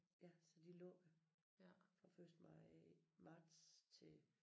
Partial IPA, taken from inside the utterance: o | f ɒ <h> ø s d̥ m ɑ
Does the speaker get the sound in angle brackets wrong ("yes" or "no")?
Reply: yes